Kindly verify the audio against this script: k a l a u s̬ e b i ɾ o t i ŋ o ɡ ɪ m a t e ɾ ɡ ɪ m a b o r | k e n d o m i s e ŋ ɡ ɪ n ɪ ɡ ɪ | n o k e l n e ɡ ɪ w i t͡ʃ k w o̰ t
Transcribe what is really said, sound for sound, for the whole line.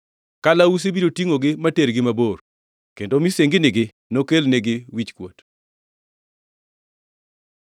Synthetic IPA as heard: k a l a u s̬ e b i ɾ o t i ŋ o ɡ ɪ m a t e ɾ ɡ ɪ m a b o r | k e n d o m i s e ŋ ɡ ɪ n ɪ ɡ ɪ | n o k e l n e ɡ ɪ w i t͡ʃ k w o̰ t